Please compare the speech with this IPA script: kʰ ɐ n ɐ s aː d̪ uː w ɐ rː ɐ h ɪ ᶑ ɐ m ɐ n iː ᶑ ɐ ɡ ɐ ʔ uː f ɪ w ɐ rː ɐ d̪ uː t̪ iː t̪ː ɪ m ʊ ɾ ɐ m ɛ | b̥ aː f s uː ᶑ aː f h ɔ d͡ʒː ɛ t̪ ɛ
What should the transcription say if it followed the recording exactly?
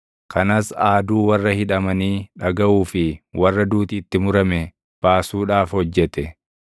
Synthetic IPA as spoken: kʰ ɐ n ɐ s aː d̪ uː w ɐ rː ɐ h ɪ ᶑ ɐ m ɐ n iː ᶑ ɐ ɡ ɐ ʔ uː f ɪ w ɐ rː ɐ d̪ uː t̪ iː t̪ː ɪ m ʊ ɾ ɐ m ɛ | b̥ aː s uː ᶑ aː f h ɔ d͡ʒː ɛ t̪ ɛ